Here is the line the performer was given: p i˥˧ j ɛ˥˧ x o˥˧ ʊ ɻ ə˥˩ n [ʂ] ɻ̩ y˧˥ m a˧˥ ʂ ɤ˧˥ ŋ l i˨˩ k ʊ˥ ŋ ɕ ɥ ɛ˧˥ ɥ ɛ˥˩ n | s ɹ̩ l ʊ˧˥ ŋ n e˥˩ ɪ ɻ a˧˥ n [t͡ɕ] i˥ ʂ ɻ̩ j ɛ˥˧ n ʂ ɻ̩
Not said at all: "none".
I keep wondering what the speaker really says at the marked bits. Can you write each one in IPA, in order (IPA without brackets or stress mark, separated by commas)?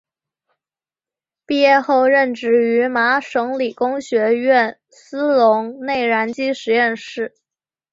ʈ͡ʂ, t͡ɕ